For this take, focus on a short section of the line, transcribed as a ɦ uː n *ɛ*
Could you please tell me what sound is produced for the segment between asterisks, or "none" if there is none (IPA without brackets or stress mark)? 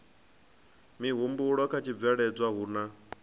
a